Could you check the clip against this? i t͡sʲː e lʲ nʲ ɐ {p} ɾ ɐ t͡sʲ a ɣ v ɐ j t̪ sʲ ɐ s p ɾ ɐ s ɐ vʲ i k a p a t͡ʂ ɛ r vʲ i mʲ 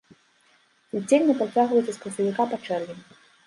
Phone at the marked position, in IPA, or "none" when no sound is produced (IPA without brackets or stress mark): p